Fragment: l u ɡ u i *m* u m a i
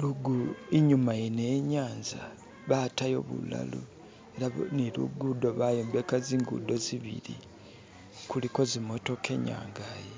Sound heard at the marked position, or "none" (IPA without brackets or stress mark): ɲ